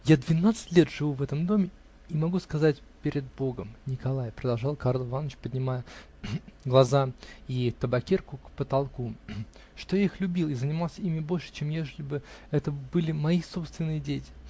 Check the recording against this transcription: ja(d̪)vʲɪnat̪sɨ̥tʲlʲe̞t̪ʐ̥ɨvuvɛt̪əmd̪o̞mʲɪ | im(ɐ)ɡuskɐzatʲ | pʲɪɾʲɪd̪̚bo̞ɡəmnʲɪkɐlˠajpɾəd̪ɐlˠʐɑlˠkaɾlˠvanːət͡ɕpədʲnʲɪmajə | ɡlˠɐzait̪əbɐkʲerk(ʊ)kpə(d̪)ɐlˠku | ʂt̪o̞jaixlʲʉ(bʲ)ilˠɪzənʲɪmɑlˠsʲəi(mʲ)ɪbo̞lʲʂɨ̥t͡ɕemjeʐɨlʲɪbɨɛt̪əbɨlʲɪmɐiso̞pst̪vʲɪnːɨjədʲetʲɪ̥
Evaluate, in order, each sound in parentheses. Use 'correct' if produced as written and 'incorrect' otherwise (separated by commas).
correct, correct, correct, incorrect, correct, correct